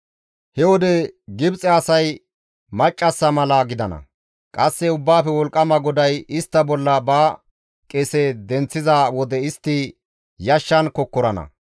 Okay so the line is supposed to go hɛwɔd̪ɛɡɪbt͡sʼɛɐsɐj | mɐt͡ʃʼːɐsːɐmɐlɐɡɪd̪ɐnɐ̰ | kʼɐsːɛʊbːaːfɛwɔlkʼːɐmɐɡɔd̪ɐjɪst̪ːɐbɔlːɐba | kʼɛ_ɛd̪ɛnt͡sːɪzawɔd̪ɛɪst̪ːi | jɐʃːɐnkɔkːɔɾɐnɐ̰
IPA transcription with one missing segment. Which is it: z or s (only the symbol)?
s